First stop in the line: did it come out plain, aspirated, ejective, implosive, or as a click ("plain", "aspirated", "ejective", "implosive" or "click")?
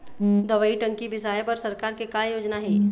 plain